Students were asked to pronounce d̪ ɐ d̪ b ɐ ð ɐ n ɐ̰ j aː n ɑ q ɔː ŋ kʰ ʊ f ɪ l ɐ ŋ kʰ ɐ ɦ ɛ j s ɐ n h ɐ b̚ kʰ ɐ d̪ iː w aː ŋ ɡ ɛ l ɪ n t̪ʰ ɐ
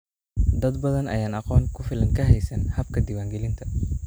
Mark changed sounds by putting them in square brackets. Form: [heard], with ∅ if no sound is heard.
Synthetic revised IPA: d̪ ɐ d̪ b ɐ ð ɐ n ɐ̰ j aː n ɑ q ɔː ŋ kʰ ʊ f ɪ l ɐ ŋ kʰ ɐ ɦ ɛ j s ɐ n h ɐ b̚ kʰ ɐ d̪ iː w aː ŋ ɡ ɛ l ɪ n t̪ʰ ɐ